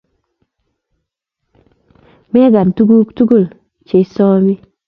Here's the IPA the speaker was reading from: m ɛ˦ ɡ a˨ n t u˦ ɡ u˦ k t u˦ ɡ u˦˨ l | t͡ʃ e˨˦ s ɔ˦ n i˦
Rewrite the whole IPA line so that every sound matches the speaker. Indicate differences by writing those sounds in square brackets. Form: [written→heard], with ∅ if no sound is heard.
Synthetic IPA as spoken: m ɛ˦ ɡ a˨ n t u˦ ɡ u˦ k t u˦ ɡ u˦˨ l | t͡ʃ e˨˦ s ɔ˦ [n→m] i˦

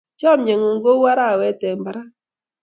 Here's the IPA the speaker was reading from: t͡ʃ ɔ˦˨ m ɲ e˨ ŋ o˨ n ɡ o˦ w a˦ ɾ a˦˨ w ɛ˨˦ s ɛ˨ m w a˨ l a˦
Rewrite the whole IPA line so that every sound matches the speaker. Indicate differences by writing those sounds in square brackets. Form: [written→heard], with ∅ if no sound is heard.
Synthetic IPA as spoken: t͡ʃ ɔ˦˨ m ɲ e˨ ŋ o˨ [n→ŋ] ɡ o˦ w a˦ ɾ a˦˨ w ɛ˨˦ [s→t] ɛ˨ m [w→b] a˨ [l→ɾ] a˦

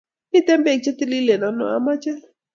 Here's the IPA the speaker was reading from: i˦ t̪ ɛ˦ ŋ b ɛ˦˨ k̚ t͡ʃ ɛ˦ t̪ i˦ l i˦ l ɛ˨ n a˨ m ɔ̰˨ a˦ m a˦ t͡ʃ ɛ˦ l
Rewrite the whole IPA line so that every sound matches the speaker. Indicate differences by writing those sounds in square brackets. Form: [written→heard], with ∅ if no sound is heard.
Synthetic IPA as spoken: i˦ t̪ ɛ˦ [ŋ→m] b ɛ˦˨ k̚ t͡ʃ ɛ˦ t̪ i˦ l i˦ l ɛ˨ n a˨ [m→n] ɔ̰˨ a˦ m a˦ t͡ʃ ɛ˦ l

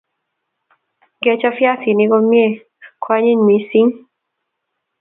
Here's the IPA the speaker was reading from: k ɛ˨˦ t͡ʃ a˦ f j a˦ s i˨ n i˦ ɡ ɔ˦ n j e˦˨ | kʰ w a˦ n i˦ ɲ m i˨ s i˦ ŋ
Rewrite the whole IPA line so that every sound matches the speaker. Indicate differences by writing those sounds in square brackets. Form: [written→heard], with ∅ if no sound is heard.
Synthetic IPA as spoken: [k→ɡ] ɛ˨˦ t͡ʃ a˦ f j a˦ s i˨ n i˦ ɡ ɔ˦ [n→m] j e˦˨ | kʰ w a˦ [n→ɲ] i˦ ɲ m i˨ s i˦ ŋ

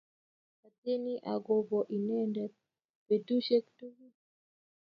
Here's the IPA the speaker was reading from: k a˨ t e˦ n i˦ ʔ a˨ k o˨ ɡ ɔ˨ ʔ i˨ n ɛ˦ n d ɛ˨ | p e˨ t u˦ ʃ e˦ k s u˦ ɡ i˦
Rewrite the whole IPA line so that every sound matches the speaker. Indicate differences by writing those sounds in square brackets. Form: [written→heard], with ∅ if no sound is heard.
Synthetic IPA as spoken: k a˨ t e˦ n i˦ ʔ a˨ [k→ɡ] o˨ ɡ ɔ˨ ʔ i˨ n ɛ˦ n d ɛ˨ | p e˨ t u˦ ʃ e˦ k [s→t] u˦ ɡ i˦

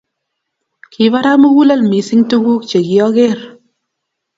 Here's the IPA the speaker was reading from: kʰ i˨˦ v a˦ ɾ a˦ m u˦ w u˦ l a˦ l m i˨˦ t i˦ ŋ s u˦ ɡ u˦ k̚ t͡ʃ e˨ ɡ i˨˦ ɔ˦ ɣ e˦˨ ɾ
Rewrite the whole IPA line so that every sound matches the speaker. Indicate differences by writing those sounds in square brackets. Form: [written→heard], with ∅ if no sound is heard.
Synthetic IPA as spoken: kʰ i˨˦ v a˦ ɾ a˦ m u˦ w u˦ l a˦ l m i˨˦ [t→s] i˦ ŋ [s→t] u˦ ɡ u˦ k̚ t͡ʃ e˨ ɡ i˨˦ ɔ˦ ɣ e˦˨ ɾ

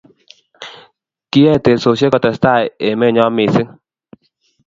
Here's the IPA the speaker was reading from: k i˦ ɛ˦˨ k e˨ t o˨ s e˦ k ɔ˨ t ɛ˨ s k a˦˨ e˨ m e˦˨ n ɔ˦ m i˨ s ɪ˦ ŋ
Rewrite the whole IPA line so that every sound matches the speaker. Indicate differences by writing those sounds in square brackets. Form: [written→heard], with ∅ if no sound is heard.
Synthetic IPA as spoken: k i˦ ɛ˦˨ [k→t] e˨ [t→s] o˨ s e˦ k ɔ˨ t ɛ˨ s [k→t] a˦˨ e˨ m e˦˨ [n→ɲ] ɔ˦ m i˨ s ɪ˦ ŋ

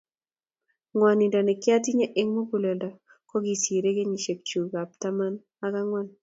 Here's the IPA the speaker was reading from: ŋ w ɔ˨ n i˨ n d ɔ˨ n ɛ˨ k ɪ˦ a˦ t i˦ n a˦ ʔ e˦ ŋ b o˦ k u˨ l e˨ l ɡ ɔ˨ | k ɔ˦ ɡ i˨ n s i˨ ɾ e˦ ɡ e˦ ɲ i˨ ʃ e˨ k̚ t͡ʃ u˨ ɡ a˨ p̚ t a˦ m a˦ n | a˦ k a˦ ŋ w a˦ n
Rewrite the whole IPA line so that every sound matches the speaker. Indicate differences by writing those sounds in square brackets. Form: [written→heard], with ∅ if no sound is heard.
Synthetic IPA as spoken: ŋ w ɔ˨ n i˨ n d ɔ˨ n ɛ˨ k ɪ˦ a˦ t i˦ [n→ɲ] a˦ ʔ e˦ ŋ [b→m] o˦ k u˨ l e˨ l [ɡ→d] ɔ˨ | k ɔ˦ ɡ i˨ [n→∅] s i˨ ɾ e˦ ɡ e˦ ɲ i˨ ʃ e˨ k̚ t͡ʃ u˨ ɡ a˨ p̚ t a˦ m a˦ n | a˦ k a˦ ŋ w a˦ n

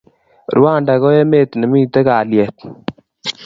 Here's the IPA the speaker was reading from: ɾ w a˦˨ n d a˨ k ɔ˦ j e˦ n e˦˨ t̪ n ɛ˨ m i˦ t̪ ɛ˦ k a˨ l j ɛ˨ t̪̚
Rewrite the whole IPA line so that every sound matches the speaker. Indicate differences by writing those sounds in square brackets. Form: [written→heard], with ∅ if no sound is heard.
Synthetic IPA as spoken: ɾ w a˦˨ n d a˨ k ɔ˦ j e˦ [n→m] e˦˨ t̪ n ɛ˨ m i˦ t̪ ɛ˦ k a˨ l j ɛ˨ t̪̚

